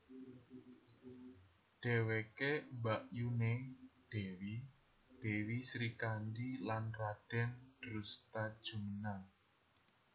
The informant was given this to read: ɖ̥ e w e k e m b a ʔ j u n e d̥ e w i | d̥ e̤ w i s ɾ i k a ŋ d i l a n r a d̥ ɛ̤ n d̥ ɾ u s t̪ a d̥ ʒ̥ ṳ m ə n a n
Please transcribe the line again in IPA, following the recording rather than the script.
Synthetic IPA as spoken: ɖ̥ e w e k e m b a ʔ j u n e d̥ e w i | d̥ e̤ w i s ɾ i k a n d i l a n r a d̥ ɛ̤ n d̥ ɾ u s t̪ a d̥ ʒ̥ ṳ m ə n a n